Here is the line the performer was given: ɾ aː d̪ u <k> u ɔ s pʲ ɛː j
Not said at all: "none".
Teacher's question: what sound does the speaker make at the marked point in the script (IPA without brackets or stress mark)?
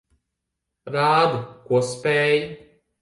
k